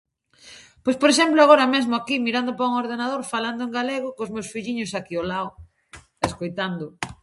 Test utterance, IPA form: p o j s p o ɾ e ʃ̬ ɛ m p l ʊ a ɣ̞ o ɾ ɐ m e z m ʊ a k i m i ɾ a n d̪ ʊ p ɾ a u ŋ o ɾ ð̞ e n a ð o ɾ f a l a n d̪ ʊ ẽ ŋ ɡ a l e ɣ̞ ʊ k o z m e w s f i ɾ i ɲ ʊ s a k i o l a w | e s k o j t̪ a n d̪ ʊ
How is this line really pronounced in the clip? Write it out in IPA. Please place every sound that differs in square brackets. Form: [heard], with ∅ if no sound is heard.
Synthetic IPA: p o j s p o ɾ e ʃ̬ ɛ m p l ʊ a ɣ̞ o ɾ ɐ m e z m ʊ a k i m i ɾ a n d̪ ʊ p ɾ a u ŋ o ɾ ð̞ e n a ð o ɾ f a l a n d̪ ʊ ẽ ŋ ɡ a l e ɣ̞ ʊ k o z m e w s f i [ʎ] i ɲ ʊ s a k i o l a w | e s k o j t̪ a n d̪ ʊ

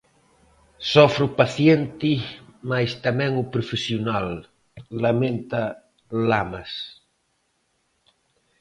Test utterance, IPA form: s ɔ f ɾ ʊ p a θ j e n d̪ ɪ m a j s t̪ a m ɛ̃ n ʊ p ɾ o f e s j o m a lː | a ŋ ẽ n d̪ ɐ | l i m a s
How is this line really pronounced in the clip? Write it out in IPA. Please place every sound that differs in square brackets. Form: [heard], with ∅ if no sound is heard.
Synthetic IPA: s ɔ f ɾ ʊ p a θ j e n [t̪] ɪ m a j s t̪ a m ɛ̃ [ŋ] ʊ p ɾ o f e s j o [n] a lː | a [m] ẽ n [t̪] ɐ | l [a] m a s

